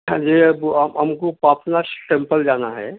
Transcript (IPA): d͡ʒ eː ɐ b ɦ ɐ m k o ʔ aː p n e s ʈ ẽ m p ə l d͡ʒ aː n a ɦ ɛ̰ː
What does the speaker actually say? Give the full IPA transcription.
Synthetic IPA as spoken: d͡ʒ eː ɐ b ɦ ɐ m k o p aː p n a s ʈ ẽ m p ə l d͡ʒ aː n a ɦ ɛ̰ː